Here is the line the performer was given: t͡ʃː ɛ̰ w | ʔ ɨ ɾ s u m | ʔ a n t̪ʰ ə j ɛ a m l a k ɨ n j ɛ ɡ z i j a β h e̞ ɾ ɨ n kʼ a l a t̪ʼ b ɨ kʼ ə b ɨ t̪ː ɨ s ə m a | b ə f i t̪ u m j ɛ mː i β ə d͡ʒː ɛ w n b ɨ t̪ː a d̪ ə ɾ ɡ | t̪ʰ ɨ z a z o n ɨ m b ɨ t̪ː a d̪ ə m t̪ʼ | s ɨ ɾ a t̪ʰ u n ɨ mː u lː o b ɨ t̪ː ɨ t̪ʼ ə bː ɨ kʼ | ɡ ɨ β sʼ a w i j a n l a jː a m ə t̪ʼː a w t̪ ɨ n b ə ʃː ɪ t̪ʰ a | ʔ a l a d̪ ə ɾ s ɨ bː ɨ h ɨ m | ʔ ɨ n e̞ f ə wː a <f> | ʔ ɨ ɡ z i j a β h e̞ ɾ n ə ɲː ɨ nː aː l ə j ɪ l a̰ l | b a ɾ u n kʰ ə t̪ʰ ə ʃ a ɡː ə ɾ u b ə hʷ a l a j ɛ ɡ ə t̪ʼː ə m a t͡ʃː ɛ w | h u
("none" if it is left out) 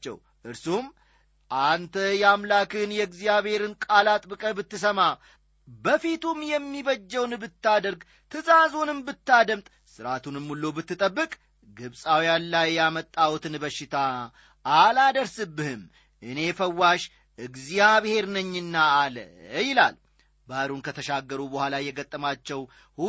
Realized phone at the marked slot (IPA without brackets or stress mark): ʃ